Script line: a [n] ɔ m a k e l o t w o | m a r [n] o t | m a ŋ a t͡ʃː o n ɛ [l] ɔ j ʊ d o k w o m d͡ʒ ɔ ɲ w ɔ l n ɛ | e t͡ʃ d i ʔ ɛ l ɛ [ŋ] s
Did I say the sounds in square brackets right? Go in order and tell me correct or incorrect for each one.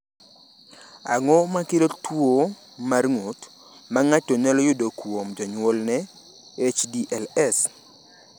incorrect, incorrect, correct, incorrect

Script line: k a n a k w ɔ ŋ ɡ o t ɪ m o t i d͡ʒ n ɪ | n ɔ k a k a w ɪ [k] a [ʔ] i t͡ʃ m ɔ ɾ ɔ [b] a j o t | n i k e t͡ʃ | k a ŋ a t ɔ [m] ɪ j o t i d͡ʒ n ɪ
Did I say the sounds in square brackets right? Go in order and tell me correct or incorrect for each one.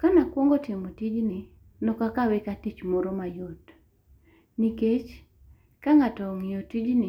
correct, incorrect, incorrect, incorrect

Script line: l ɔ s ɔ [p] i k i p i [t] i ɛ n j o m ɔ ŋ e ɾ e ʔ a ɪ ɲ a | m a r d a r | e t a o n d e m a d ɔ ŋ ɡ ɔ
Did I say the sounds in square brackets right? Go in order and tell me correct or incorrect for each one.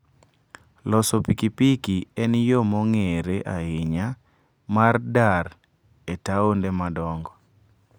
correct, incorrect

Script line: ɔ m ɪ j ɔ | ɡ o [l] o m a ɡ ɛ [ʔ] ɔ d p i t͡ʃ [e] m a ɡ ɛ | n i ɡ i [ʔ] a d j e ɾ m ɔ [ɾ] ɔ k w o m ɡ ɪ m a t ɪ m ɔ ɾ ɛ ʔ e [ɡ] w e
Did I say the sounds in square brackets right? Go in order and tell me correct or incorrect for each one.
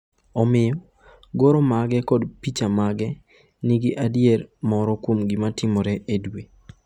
incorrect, incorrect, incorrect, correct, correct, incorrect

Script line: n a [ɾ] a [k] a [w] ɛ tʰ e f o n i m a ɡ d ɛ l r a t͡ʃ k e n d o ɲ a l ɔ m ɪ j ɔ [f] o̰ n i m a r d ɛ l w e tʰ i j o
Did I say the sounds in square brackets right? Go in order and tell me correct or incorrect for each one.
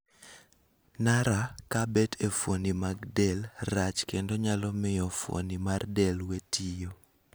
correct, correct, incorrect, correct

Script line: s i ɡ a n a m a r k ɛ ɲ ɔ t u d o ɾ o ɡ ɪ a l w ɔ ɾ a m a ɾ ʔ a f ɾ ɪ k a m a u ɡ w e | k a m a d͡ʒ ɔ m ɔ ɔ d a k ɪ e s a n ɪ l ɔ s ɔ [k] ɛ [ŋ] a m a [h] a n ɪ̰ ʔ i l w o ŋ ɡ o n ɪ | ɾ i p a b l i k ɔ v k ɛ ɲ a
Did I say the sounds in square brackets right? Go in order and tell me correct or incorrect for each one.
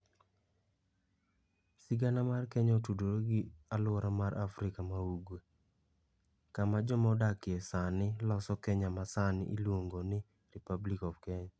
correct, incorrect, incorrect

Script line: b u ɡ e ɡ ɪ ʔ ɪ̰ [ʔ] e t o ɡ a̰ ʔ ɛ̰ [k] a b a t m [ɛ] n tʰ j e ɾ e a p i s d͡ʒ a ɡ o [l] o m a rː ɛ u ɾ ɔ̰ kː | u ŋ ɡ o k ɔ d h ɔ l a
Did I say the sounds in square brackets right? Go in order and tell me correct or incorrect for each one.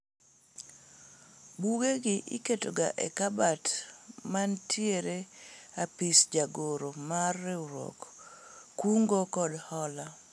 incorrect, correct, incorrect, incorrect

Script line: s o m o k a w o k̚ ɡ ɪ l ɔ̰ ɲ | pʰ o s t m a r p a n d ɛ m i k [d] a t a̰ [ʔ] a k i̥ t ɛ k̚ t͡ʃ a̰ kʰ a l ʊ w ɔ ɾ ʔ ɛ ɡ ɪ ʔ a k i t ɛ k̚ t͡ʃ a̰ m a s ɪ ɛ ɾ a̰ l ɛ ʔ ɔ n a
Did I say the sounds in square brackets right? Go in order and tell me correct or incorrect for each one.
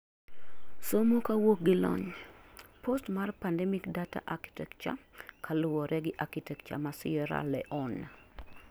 correct, correct

